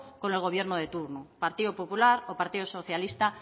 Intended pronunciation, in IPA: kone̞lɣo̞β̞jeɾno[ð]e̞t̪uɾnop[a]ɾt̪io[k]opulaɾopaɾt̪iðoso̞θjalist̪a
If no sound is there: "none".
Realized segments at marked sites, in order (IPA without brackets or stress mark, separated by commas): ð, a, p